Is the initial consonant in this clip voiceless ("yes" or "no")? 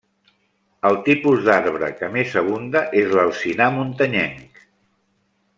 no